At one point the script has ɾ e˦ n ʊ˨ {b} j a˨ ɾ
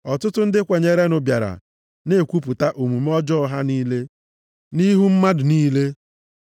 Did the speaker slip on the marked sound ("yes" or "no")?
no